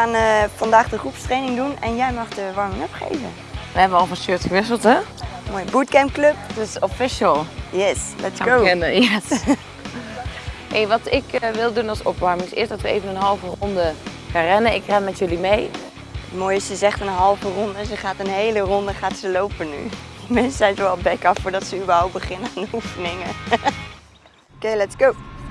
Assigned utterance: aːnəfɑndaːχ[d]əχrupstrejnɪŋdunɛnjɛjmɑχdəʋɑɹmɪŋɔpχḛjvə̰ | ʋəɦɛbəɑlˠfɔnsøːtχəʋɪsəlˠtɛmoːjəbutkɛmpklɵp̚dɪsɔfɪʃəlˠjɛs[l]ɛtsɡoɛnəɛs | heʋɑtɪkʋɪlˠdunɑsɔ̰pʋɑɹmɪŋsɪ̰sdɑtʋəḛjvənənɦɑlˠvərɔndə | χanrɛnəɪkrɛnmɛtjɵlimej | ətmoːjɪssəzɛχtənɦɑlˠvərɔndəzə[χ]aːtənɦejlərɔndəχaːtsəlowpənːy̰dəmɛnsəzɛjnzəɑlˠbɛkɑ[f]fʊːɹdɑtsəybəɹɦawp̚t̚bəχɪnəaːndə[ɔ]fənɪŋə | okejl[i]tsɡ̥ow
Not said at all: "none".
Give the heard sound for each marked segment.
d, l, χ, f, u, ɛ

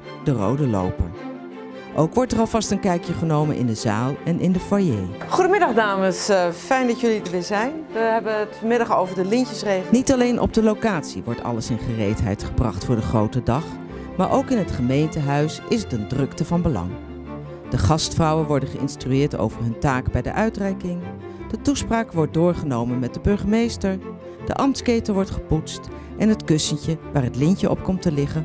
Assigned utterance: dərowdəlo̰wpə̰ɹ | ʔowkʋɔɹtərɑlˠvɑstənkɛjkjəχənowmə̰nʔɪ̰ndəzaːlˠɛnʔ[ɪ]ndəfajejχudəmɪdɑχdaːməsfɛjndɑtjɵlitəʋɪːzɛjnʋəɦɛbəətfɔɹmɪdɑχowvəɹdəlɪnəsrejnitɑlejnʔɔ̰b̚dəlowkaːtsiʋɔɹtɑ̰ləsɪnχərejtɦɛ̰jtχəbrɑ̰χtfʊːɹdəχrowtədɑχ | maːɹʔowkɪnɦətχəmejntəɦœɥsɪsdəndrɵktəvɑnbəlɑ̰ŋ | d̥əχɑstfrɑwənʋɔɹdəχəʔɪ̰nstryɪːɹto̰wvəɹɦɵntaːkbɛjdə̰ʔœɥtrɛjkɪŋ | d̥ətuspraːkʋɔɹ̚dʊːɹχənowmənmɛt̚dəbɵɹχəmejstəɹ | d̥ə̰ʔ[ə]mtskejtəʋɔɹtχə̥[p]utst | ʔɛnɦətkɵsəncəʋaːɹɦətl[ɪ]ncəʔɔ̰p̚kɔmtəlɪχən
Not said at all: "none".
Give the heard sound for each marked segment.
ɪ, ɑ, p, ɪ

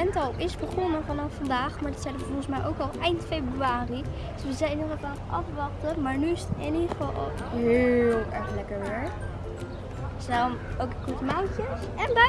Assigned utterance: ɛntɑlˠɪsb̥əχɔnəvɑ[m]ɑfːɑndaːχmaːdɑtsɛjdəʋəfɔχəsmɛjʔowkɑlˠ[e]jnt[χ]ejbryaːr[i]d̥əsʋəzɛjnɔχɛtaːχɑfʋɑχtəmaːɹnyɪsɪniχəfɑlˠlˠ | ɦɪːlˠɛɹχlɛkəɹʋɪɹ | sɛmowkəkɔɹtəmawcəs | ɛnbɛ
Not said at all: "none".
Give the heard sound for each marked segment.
n, ɛ, f, i

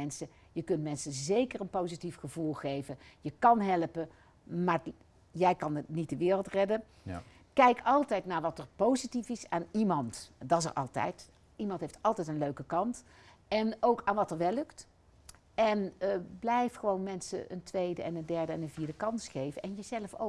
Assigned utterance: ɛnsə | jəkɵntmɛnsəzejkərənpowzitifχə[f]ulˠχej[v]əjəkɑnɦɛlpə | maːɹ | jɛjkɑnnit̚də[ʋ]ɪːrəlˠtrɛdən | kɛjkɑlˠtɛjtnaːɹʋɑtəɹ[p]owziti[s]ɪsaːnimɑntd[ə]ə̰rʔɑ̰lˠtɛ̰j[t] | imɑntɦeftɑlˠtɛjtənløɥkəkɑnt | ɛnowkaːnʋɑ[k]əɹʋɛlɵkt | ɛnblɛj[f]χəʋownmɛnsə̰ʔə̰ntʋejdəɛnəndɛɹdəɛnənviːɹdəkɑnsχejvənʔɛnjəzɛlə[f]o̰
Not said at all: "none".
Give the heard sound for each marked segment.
v, v, ʋ, p, f, ɑ, t, t, f, f

